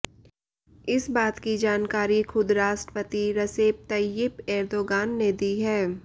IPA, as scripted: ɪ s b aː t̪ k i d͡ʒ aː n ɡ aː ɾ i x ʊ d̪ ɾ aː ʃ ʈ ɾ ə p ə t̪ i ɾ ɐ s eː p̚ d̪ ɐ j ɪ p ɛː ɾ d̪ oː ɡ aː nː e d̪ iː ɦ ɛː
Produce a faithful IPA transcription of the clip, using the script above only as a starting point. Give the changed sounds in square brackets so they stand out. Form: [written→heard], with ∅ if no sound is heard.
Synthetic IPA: ɪ s b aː t̪ k i d͡ʒ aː n [ɡ→k] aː ɾ i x ʊ d̪ ɾ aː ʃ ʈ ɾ ə p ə t̪ i ɾ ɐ s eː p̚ [d̪→t̪] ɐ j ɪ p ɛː ɾ d̪ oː ɡ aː nː e d̪ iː ɦ ɛː